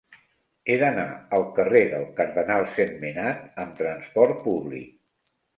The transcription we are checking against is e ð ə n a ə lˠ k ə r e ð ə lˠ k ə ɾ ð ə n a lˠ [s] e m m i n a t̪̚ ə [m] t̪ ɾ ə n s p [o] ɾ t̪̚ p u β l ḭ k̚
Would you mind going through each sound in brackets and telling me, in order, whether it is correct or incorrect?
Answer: correct, correct, incorrect: ɔ

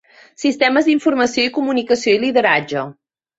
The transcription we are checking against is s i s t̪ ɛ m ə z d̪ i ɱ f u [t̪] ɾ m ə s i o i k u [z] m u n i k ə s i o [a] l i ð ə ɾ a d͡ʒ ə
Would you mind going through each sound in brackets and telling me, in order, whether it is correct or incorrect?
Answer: incorrect: none, incorrect: none, incorrect: i

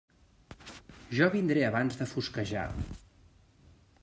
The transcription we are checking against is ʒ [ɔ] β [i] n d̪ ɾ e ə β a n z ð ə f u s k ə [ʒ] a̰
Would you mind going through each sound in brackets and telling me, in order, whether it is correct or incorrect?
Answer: correct, correct, correct

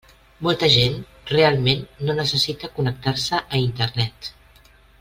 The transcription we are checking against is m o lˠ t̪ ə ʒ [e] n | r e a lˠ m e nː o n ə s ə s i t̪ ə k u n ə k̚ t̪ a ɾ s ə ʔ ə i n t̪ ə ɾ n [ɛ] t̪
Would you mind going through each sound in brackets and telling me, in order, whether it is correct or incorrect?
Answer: correct, correct

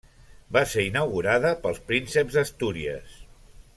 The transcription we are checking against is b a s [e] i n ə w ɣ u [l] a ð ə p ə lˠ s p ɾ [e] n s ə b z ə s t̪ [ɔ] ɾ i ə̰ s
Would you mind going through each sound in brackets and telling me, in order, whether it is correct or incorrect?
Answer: correct, incorrect: ɾ, incorrect: i, incorrect: u

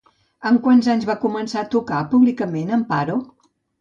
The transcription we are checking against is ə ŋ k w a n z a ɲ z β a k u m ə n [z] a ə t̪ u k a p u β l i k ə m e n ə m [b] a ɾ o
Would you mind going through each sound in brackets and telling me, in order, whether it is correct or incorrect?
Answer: incorrect: s, incorrect: p

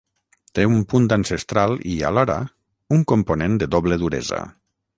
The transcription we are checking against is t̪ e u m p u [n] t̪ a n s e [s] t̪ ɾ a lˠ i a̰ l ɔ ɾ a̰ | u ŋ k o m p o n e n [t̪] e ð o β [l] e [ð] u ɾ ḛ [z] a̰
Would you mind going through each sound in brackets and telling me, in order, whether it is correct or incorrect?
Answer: correct, correct, incorrect: d̪, correct, correct, correct

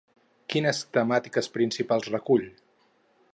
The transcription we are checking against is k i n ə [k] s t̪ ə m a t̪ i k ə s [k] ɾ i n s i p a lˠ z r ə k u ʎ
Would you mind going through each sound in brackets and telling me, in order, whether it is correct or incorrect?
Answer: incorrect: none, incorrect: p

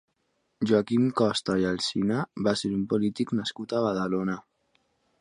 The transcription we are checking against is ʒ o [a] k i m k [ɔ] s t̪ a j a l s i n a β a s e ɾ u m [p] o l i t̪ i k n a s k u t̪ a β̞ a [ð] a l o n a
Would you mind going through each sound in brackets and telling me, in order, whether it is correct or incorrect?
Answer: correct, correct, correct, correct

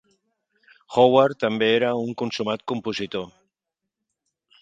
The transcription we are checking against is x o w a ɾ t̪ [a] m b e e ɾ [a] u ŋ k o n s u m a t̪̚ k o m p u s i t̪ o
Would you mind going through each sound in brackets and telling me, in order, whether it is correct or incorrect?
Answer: correct, correct

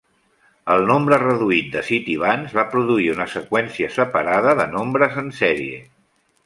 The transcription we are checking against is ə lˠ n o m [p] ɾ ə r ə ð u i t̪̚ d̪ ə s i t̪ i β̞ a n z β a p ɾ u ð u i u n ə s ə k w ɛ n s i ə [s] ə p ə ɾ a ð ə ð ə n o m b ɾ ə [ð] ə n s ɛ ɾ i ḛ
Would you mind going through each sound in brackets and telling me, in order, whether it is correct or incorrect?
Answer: incorrect: b, correct, incorrect: z

